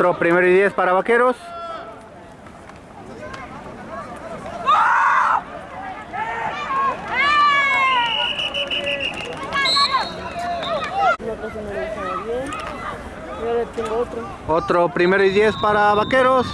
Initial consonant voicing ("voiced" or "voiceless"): voiced